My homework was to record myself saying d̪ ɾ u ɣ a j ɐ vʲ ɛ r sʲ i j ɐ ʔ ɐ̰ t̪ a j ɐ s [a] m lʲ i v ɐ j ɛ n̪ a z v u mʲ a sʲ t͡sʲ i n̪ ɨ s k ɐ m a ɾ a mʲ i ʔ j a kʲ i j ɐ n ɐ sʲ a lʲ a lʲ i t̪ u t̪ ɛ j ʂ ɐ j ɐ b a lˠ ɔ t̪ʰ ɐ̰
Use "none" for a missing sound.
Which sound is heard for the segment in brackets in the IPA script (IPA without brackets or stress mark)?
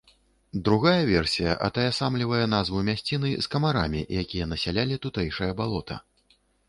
a